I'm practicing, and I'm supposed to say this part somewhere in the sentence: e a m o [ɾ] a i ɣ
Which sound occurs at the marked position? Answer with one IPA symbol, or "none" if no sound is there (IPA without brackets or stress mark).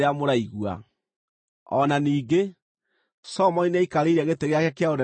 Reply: ɾ